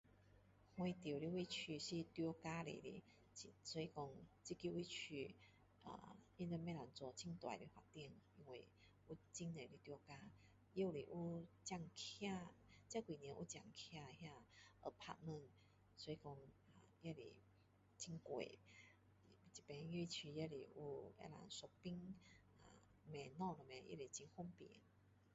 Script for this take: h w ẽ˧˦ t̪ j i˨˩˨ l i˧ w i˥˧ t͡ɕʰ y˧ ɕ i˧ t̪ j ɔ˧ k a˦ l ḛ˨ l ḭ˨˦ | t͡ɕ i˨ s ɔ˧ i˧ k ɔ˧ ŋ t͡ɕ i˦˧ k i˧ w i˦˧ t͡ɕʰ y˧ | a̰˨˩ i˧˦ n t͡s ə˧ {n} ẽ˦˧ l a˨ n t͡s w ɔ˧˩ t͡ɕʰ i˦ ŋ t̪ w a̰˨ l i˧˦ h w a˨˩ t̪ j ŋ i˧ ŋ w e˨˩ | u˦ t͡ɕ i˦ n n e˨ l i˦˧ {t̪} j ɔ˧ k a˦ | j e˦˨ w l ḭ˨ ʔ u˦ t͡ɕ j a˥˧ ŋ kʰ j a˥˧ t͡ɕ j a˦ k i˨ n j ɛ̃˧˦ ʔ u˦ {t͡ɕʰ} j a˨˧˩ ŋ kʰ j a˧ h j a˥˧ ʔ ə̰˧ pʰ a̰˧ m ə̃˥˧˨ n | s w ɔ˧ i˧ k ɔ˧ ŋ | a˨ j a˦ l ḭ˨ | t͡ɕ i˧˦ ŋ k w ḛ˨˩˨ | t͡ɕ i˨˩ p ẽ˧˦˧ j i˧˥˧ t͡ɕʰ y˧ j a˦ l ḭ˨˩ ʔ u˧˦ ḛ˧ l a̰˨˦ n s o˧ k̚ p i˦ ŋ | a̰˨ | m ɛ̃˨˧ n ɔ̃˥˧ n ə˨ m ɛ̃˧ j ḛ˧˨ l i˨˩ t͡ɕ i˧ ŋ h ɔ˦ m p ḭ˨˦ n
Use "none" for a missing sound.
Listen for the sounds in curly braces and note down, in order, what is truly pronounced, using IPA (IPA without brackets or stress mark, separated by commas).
m, t̪, t͡ɕ